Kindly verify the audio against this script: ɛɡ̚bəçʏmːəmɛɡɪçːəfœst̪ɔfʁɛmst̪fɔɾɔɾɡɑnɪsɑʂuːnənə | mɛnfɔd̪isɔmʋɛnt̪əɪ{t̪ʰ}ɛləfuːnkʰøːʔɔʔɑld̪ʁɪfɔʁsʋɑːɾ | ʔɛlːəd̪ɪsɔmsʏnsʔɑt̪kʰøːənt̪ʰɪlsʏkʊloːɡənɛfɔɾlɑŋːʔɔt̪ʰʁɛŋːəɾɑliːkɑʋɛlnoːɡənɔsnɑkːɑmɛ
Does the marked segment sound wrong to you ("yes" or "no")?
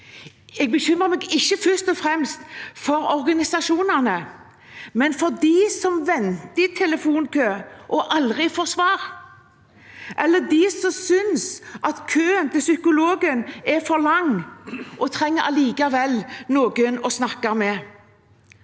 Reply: no